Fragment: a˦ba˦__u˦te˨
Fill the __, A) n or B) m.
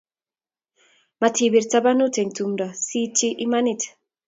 A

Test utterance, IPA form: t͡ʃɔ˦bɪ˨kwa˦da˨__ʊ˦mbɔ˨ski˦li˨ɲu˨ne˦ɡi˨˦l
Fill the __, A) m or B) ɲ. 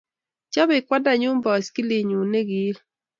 B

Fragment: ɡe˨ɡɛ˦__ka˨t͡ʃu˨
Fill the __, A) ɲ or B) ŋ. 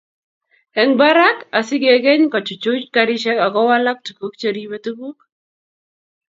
A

